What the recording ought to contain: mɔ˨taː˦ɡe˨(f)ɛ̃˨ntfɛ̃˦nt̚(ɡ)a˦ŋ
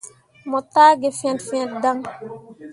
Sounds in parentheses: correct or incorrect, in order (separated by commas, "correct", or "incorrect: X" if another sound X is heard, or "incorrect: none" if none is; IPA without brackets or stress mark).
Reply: correct, incorrect: d